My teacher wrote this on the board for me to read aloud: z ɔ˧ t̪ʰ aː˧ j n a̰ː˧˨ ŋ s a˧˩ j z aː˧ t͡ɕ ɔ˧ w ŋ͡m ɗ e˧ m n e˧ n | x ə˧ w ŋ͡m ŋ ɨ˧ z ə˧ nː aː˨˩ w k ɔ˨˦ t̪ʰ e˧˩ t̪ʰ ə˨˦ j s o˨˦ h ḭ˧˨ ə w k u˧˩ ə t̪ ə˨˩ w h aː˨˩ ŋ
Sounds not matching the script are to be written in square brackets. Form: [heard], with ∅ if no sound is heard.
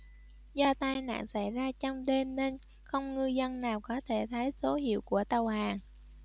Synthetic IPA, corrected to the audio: z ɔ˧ [t̪] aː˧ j n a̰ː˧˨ ŋ s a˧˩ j z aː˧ t͡ɕ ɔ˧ w ŋ͡m ɗ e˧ m n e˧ n | x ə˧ w ŋ͡m ŋ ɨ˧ z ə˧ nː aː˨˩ w k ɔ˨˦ t̪ʰ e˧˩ t̪ʰ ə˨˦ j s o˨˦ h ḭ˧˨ ə w k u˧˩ ə t̪ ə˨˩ w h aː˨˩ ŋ